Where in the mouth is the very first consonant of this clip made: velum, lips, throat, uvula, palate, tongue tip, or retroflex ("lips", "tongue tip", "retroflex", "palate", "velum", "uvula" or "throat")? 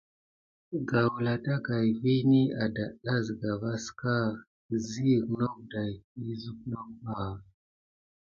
velum